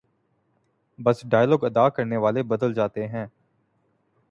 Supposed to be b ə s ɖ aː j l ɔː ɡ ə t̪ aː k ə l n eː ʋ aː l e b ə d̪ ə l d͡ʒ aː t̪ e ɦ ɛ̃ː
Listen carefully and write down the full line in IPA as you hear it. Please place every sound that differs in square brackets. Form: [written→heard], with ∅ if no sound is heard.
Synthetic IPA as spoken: b ə s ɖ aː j l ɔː ɡ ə [t̪→d̪] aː k ə [l→ɾ] n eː ʋ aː l e b ə d̪ ə l d͡ʒ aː t̪ e ɦ ɛ̃ː